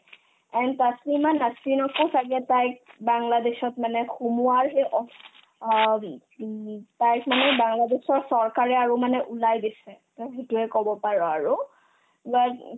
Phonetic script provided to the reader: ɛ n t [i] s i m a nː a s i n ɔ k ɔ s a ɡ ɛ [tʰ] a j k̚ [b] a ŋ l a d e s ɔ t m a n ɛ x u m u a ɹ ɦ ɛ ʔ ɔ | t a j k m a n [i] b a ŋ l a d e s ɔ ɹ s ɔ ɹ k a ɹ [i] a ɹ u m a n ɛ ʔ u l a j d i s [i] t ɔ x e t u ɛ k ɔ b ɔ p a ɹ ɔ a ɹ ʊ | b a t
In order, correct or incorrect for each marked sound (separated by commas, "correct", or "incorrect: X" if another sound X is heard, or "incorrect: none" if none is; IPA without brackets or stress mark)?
incorrect: a, incorrect: t, correct, incorrect: ɛ, incorrect: ɛ, incorrect: ɛ